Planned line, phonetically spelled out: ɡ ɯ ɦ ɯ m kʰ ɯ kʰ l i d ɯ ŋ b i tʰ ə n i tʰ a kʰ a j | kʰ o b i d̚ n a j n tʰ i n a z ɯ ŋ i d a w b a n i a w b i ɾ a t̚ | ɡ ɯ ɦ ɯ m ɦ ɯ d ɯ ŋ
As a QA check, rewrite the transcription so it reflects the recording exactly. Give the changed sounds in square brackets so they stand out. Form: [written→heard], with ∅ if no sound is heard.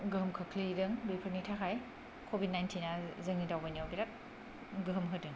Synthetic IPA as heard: ɡ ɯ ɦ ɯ m kʰ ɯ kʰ l i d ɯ ŋ b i [tʰ→pʰ] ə n i tʰ a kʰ a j | kʰ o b i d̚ n a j n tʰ i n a z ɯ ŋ i d a w b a n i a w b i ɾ a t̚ | ɡ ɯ ɦ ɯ m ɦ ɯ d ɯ ŋ